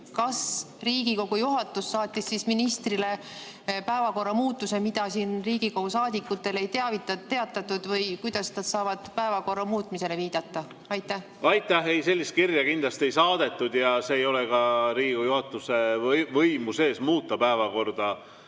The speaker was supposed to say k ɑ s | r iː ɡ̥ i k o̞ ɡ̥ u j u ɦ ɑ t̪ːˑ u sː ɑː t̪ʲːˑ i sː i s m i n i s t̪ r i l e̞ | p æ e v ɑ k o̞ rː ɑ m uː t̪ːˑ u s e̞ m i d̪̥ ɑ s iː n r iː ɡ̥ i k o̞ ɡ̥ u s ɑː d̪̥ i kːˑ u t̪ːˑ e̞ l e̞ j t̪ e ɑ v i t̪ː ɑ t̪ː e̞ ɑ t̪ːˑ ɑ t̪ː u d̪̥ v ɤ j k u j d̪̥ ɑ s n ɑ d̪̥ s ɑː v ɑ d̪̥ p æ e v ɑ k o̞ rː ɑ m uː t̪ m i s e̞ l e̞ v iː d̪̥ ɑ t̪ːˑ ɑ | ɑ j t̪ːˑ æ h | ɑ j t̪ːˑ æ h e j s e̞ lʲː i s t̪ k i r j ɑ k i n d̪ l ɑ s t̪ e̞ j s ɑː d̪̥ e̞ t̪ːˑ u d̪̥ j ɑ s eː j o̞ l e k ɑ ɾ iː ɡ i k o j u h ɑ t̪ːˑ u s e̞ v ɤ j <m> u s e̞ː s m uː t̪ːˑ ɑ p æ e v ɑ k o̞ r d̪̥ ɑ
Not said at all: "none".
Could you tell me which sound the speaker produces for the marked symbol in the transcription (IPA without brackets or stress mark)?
m